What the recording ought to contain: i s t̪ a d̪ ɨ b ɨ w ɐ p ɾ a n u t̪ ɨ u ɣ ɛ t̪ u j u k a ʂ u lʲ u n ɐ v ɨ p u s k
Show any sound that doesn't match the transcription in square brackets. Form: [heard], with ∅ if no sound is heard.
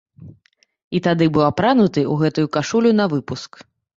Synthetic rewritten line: i [∅] t̪ a d̪ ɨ b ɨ w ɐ p ɾ a n u t̪ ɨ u ɣ ɛ t̪ u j u k a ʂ u lʲ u n ɐ v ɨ p u s k